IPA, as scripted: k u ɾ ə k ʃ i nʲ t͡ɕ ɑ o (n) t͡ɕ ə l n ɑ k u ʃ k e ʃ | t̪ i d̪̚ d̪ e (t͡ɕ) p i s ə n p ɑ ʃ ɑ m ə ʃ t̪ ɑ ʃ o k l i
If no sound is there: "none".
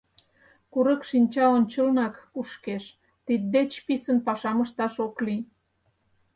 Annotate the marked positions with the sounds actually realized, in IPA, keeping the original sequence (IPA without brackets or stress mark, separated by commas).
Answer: n, t͡ɕ